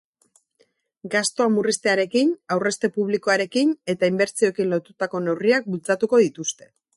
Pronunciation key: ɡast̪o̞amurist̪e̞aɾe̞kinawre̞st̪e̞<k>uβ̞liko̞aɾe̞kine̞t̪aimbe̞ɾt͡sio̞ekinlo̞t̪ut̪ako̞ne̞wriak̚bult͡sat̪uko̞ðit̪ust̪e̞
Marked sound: incorrect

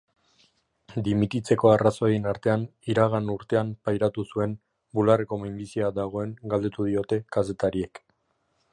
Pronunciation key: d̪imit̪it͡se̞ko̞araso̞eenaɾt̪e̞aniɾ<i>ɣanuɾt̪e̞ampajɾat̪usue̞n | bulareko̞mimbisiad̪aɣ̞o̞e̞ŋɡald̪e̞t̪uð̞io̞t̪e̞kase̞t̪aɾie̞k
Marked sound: incorrect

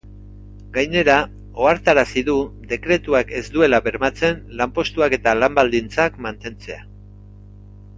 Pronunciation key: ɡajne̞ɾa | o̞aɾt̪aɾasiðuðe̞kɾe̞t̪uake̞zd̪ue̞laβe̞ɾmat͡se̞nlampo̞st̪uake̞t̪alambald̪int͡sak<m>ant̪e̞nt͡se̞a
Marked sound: correct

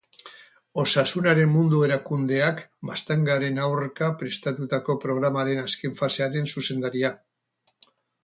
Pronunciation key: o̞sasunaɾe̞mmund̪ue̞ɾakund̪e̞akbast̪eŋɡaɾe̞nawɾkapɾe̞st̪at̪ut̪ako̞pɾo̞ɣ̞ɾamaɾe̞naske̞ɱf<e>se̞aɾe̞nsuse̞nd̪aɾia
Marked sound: incorrect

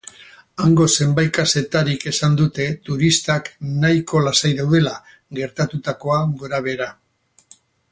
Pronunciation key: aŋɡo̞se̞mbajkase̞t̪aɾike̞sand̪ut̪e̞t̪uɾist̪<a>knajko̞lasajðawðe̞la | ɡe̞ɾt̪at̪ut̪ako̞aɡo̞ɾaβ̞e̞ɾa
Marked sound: correct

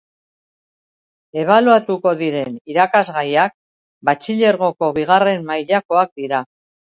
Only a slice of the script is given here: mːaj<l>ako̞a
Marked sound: incorrect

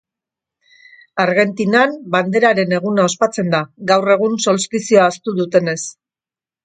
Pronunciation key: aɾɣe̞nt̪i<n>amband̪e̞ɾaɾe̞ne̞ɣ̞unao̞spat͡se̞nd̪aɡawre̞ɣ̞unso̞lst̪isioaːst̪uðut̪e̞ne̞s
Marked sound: correct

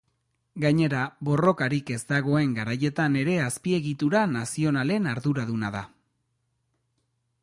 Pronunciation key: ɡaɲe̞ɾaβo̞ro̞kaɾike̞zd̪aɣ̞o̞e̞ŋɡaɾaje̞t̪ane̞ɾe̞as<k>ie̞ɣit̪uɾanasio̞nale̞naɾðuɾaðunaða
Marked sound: incorrect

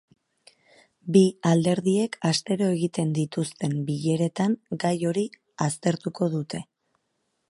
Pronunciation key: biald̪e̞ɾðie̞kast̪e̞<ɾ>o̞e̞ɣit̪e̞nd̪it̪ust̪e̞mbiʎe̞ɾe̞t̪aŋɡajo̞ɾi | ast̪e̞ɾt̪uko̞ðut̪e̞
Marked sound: correct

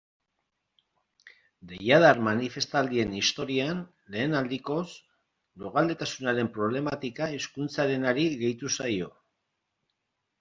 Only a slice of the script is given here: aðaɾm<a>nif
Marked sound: correct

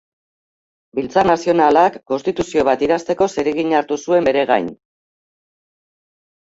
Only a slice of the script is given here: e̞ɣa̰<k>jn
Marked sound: incorrect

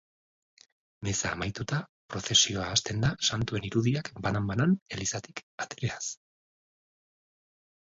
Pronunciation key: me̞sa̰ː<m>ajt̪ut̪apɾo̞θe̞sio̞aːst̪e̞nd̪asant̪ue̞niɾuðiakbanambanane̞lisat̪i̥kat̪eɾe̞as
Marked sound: correct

